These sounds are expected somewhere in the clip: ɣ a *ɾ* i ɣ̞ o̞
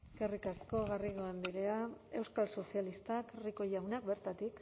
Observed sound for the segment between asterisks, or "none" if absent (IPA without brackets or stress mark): r